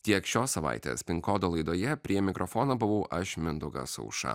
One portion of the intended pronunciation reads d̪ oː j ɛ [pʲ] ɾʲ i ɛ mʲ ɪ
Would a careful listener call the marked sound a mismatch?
no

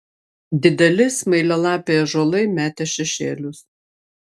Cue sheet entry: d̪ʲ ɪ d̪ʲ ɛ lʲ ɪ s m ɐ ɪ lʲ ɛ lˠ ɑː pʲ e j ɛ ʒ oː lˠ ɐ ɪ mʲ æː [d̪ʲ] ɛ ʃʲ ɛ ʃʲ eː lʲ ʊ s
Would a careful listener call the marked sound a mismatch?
yes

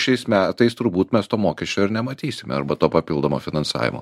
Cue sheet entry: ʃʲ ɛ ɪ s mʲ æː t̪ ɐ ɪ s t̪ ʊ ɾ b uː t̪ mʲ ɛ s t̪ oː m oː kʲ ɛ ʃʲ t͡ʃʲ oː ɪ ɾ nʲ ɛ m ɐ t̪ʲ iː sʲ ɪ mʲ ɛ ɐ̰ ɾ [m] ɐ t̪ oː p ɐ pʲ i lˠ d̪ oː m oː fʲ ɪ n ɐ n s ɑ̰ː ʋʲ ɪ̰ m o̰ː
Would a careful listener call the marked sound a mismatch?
yes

